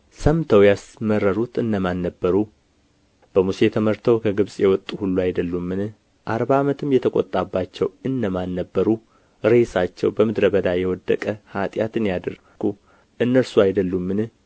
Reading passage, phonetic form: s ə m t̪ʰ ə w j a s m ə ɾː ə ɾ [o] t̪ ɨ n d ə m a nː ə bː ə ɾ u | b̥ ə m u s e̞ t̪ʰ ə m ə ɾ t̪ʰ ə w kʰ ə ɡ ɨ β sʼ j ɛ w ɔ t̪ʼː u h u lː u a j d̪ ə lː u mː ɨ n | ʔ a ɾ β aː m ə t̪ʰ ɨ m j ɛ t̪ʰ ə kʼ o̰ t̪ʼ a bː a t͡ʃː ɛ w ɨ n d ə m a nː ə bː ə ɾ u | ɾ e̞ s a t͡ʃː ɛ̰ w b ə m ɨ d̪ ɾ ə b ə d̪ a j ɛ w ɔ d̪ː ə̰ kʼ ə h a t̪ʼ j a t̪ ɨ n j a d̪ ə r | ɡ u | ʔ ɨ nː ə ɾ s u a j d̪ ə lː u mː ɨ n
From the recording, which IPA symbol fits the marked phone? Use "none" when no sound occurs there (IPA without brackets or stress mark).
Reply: u